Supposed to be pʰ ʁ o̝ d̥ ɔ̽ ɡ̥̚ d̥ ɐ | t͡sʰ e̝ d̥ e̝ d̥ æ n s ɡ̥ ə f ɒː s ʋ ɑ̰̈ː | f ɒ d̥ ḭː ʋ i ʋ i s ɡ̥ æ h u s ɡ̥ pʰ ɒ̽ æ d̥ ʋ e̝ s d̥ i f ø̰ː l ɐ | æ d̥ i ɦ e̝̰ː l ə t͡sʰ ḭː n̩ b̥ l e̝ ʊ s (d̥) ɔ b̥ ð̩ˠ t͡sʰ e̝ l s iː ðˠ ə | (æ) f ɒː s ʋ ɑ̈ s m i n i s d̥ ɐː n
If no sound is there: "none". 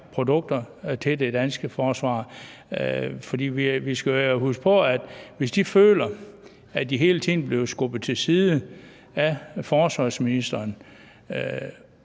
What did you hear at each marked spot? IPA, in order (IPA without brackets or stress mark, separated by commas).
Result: ɡ̥, æ